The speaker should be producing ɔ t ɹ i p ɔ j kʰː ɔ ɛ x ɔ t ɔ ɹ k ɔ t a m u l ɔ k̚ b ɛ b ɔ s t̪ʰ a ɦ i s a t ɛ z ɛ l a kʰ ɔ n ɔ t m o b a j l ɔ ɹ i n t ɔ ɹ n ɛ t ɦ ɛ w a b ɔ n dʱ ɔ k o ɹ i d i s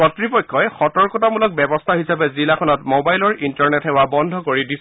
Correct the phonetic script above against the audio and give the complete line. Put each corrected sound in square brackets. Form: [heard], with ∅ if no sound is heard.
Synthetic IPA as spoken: ɔ t ɹ i p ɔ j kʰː ɔ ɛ x ɔ t ɔ ɹ k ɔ t a m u l ɔ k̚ b ɛ b ɔ s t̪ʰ a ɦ i s a [p] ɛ z [i] l a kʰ ɔ n ɔ t m o b a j l ɔ ɹ i n t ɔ ɹ n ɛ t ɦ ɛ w a b ɔ n dʱ ɔ k o ɹ i d i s